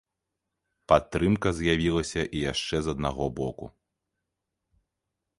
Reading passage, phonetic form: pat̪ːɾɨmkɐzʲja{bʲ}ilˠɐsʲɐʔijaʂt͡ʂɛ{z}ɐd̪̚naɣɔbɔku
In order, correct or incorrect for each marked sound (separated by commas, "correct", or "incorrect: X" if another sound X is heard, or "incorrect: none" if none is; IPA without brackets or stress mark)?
incorrect: vʲ, correct